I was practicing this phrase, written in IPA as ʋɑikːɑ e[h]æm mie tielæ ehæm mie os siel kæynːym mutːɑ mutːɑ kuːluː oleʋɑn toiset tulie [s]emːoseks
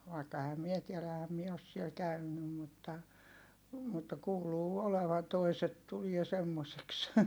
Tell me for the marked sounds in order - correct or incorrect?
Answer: correct, correct

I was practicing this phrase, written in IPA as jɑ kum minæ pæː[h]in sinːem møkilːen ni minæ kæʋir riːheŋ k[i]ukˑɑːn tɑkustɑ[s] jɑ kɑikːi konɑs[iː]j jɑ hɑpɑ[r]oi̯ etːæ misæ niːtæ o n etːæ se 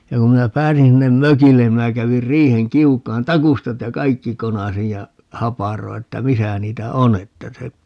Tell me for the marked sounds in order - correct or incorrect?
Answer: incorrect, correct, incorrect, incorrect, correct

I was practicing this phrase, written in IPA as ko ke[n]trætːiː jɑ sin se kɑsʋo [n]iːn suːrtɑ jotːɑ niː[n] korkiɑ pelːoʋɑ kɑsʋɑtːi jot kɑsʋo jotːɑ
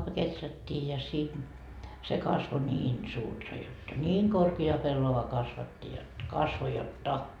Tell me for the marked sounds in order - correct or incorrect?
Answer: incorrect, correct, incorrect

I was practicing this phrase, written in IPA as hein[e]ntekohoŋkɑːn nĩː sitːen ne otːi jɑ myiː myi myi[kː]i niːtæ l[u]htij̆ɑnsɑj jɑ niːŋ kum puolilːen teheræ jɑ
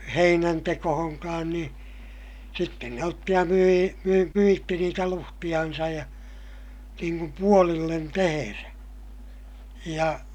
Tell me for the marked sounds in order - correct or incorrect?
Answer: incorrect, incorrect, correct

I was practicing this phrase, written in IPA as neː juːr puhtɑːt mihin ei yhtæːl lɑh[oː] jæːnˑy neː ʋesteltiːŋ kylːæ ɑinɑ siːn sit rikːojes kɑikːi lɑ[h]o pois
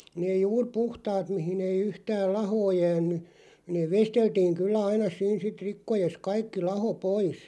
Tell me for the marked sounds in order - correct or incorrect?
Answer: correct, correct

